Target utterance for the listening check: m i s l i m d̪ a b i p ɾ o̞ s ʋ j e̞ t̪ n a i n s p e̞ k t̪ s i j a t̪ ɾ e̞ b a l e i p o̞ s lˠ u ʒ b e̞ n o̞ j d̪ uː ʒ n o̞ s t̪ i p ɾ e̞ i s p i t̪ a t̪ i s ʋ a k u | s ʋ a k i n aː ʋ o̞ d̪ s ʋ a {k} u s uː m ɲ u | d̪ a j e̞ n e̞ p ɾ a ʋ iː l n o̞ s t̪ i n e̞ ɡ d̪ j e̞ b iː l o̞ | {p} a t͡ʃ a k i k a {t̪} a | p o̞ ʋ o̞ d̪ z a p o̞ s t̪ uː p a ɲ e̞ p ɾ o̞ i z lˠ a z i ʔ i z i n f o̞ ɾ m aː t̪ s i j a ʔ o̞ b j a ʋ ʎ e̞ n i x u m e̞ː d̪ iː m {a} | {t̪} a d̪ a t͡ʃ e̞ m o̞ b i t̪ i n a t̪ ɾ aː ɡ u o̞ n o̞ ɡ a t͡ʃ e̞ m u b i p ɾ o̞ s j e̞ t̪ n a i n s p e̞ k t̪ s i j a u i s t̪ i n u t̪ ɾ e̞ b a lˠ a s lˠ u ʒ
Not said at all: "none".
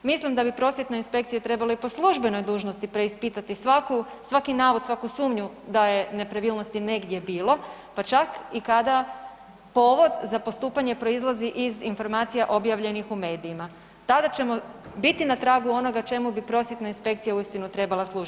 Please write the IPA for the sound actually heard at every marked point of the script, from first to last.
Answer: k, p, d̪, a, t̪

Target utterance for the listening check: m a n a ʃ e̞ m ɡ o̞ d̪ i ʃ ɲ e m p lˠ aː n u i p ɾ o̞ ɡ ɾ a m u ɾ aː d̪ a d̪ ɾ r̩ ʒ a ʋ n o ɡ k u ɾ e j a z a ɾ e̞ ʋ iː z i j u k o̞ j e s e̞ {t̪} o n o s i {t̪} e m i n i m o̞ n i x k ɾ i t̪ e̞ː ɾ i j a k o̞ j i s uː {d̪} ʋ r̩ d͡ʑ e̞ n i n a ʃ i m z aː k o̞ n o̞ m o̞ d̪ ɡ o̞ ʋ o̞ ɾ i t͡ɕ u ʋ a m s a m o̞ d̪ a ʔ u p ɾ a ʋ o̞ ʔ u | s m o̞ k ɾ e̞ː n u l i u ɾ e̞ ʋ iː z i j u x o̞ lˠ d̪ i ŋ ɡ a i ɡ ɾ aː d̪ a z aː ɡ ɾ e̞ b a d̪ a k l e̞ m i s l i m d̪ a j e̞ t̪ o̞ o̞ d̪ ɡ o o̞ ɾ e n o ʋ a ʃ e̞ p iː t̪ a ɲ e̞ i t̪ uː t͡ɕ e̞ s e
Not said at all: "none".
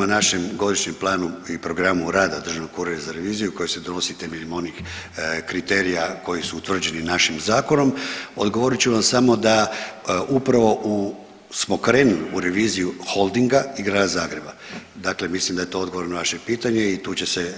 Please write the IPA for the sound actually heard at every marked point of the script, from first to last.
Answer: d̪, t̪, t̪

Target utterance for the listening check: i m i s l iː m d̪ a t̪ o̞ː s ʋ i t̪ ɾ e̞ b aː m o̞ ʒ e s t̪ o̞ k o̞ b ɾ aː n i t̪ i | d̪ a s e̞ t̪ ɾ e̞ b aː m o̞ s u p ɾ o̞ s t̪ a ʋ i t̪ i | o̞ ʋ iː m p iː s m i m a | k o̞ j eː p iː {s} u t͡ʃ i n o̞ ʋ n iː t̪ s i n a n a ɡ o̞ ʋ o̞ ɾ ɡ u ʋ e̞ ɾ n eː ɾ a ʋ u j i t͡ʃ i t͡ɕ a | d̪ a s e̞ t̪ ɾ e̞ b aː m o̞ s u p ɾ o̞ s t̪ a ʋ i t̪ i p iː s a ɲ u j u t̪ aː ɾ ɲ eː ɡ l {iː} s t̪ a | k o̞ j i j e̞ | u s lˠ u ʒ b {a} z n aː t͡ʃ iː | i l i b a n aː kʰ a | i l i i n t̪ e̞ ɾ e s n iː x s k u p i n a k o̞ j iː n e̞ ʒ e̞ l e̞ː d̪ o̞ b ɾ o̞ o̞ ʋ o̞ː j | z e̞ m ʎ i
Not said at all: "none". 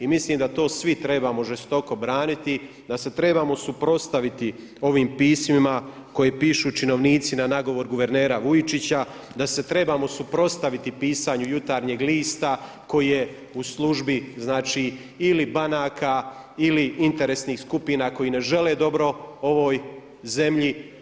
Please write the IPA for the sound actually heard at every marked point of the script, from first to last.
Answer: ʃ, iː, i

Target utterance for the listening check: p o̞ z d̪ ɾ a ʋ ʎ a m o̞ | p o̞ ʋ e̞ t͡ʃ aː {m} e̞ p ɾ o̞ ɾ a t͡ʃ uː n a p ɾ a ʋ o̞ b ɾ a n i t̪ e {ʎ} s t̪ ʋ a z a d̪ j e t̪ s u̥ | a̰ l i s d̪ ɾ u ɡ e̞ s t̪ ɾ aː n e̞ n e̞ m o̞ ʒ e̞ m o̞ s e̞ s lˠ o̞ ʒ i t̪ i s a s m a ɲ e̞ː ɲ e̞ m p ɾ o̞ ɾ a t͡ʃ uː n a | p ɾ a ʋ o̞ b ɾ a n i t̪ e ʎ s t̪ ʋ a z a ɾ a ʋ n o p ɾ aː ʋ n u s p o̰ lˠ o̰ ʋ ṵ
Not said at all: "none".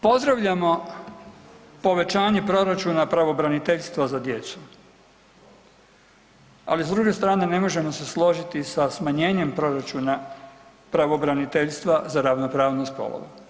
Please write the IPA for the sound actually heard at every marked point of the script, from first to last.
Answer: ɲ, ʎ

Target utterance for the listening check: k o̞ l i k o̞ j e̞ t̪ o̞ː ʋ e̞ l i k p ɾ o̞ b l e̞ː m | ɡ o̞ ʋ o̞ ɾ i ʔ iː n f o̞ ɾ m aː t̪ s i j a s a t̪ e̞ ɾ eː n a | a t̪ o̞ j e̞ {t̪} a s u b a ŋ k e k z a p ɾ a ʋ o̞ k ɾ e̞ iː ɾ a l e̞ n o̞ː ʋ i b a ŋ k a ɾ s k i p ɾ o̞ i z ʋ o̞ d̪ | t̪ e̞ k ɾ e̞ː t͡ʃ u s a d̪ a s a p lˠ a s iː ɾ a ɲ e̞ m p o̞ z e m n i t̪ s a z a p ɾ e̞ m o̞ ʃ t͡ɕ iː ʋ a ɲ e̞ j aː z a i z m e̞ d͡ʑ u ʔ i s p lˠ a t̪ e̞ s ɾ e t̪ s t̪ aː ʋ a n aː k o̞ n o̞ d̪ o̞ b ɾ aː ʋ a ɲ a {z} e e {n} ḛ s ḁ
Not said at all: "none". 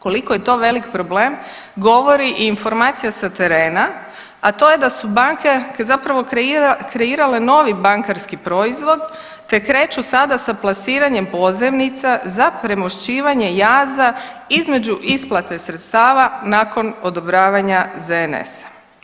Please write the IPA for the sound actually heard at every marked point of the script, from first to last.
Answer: d̪, z, n

